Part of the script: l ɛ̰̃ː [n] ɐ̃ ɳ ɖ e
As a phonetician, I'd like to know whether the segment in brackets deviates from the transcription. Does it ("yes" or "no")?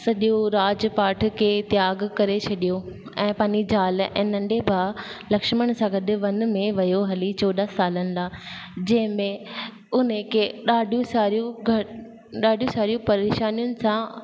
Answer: no